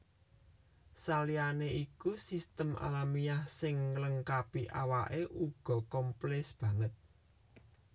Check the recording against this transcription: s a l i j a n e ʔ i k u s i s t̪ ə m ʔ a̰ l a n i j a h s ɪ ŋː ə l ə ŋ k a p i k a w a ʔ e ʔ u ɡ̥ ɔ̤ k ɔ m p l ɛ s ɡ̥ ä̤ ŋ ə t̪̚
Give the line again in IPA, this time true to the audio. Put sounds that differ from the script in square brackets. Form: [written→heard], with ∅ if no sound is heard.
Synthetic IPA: s a l i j a n e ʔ i k u s i s t̪ ə m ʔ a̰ l a [n→m] i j a h s ɪ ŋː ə l ə ŋ k a p i [k→ʔ] a w a ʔ e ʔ u ɡ̥ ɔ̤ k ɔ m p l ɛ s [ɡ̥→b̥] ä̤ ŋ ə t̪̚